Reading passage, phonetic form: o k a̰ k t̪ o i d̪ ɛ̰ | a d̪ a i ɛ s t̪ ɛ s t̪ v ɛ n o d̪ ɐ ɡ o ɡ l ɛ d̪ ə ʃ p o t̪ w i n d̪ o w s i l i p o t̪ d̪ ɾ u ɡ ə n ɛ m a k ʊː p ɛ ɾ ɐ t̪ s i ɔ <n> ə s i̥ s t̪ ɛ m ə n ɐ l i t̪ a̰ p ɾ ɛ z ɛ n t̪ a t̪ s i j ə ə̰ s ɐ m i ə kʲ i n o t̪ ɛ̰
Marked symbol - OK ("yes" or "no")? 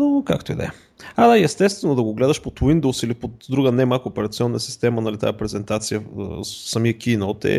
no